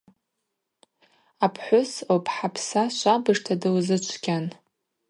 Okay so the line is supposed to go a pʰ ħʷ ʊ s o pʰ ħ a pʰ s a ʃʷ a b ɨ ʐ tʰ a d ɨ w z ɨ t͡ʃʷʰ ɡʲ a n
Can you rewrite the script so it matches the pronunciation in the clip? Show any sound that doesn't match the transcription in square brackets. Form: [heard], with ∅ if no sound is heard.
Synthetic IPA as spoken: a pʰ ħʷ ʊ s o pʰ ħ a pʰ s a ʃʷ a b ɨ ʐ tʰ a d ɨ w z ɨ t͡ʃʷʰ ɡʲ a n